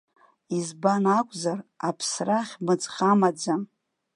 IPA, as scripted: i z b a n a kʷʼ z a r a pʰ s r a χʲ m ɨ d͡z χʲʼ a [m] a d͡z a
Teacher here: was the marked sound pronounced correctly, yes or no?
yes